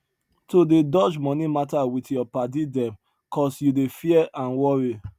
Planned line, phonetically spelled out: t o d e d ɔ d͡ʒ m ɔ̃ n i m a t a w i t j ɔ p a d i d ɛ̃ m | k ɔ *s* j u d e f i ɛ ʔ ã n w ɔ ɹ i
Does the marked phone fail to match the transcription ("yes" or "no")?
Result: no